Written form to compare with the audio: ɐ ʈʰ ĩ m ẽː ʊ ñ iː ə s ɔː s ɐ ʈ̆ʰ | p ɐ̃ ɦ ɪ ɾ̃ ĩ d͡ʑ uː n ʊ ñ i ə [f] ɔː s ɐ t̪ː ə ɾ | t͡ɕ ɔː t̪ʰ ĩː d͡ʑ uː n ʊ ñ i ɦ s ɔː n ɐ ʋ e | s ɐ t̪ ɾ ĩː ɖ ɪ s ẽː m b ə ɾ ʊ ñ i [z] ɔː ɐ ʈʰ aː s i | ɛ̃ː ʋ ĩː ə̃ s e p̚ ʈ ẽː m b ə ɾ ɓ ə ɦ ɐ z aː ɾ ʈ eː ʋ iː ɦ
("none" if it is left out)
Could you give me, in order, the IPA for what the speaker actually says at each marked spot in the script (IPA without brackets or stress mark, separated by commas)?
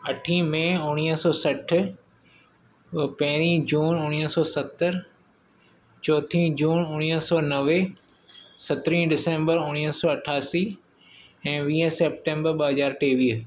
s, s